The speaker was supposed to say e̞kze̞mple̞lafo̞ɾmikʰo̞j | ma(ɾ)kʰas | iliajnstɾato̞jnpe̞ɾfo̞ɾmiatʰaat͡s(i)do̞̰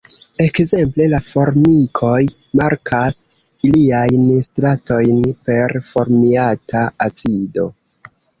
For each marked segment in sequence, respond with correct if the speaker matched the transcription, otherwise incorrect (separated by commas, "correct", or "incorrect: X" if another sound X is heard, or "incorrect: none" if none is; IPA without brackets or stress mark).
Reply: correct, correct